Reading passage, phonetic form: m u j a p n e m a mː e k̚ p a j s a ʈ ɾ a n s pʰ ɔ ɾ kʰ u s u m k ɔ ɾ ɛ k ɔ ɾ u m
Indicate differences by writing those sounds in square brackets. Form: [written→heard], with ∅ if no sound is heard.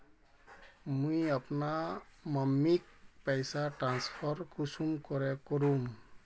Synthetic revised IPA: m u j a p n [e→a] m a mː [e→i] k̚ p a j s a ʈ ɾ a n s pʰ ɔ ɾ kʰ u s u m k ɔ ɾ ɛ k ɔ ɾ u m